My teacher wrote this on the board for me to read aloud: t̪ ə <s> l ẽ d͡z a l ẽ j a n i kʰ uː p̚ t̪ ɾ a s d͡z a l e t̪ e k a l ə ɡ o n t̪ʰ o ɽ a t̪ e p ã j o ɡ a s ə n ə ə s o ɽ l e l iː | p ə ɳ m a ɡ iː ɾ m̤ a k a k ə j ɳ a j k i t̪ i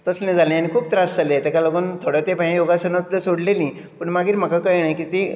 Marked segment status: correct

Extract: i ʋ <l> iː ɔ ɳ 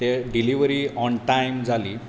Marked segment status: incorrect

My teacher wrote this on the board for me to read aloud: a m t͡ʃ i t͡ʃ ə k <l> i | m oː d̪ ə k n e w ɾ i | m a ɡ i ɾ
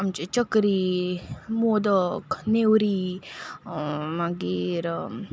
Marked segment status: incorrect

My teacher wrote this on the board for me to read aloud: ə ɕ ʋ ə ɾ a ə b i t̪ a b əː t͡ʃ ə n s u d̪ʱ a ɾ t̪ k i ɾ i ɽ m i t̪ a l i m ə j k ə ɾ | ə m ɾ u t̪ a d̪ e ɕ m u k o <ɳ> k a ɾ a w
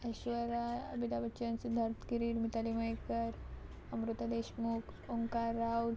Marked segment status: incorrect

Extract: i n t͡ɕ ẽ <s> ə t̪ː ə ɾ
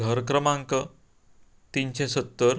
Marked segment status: correct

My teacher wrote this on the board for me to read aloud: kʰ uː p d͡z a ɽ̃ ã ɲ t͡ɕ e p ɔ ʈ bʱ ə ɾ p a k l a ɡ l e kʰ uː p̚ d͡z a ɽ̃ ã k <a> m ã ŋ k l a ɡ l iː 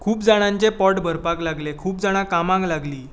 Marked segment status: correct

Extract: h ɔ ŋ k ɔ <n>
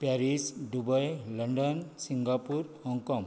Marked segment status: incorrect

